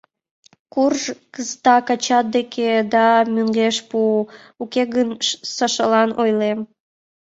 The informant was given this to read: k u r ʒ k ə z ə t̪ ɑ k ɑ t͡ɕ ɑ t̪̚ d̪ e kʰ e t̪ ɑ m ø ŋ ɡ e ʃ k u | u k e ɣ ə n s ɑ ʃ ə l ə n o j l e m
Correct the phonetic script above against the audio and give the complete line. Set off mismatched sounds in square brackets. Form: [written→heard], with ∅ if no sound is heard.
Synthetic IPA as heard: k u r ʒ k ə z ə t̪ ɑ k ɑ t͡ɕ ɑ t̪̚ d̪ e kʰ e [t̪→d̪] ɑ m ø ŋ ɡ e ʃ [k→p] u | u k e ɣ ə n s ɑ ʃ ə l [ə→ɑ] n o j l e m

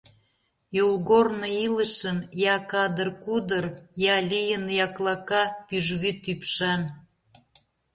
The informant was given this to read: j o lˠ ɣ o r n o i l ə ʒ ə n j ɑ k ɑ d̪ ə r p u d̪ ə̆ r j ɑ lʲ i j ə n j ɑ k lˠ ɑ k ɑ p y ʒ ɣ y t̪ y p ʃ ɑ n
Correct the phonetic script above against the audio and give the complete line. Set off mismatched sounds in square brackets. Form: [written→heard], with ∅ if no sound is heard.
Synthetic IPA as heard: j o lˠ ɣ o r n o i l ə [ʒ→ʃ] ə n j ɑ k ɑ d̪ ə r [p→k] u d̪ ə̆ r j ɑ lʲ i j ə n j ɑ k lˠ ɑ k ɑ p y ʒ ɣ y t̪ y p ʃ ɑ n

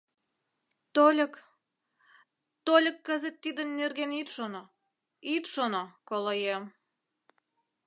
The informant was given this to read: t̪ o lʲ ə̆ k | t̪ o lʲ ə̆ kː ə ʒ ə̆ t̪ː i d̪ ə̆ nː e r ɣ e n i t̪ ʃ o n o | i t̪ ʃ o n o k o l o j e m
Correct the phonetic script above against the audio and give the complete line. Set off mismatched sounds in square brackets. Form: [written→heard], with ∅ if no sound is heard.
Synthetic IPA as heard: t̪ o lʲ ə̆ k | t̪ o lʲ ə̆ kː ə [ʒ→z] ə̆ t̪ː i d̪ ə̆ nː e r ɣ e n i t̪ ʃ o n o | i t̪ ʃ o n o k o l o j e m

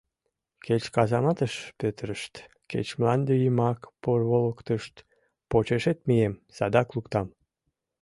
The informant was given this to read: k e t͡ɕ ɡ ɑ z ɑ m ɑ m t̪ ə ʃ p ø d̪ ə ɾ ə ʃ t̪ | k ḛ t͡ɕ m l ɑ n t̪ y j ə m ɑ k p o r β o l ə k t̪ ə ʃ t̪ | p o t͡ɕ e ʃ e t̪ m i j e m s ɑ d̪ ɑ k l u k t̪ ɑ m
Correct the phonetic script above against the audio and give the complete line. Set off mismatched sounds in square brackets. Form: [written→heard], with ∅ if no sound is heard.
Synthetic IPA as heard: k e t͡ɕ [ɡ→k] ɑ z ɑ m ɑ [m→∅] t̪ ə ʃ p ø [d̪→t̪] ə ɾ ə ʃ t̪ | k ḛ t͡ɕ m l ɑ n [t̪→d̪] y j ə m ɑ k p o r β o l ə k t̪ ə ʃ t̪ | p o t͡ɕ e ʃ e t̪ m i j e m s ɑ d̪ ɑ k l u k t̪ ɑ m

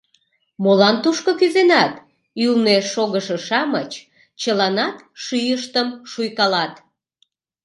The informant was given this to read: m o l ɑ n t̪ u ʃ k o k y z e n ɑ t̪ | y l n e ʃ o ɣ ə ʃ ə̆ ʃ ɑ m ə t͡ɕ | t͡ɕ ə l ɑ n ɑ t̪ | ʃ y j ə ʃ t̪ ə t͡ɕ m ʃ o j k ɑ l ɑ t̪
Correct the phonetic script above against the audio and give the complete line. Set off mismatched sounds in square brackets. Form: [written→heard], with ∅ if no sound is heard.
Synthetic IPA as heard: m o l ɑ n t̪ u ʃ k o k y z e n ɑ t̪ | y l n e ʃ o ɣ ə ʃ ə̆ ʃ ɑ m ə t͡ɕ | t͡ɕ ə l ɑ n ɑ t̪ | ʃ y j ə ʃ t̪ ə [t͡ɕ→∅] m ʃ [o→u] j k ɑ l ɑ t̪

